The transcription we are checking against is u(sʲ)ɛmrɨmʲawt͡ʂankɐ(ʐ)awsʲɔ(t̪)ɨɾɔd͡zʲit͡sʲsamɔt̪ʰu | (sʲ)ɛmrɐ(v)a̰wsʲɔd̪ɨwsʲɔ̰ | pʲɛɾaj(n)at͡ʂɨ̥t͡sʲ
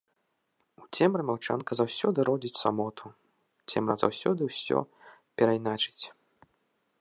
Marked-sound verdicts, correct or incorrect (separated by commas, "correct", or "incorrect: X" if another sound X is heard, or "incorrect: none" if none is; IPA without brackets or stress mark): incorrect: t͡sʲ, incorrect: z, incorrect: d̪, incorrect: t͡sʲ, incorrect: z, correct